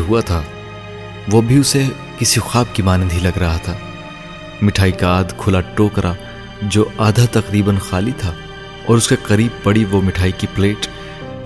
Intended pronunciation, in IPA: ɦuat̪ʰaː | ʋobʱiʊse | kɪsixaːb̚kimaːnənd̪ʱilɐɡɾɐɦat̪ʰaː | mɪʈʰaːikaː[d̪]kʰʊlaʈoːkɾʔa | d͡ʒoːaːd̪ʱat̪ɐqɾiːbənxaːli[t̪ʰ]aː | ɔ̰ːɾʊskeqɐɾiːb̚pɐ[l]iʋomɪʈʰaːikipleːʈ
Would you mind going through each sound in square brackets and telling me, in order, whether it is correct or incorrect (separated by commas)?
correct, correct, incorrect